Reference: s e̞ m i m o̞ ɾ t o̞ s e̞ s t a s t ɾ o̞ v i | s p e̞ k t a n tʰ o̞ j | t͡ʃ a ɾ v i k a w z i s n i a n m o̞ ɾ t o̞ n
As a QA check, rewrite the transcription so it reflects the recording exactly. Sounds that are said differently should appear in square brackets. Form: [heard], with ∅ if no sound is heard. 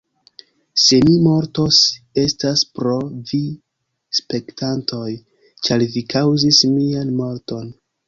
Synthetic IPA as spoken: s e̞ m i m o̞ ɾ t o̞ s e̞ s t a s [p] ɾ o̞ v i | s p e̞ k t a n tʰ o̞ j | t͡ʃ a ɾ v i k a w z i s [m] i a n m o̞ ɾ t o̞ n